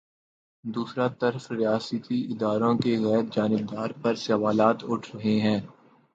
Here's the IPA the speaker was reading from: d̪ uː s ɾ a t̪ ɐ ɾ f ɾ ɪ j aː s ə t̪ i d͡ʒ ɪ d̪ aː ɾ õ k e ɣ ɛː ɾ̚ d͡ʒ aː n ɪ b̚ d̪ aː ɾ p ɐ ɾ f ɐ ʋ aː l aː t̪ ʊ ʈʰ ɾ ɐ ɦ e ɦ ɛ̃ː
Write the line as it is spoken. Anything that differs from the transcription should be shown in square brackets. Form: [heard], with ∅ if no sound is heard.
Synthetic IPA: d̪ uː s ɾ a t̪ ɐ ɾ f ɾ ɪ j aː s ə t̪ i [∅] ɪ d̪ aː ɾ õ k e ɣ ɛː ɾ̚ d͡ʒ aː n ɪ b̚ d̪ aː ɾ p ɐ ɾ [s] ɐ ʋ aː l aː t̪ ʊ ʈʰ ɾ ɐ ɦ e ɦ ɛ̃ː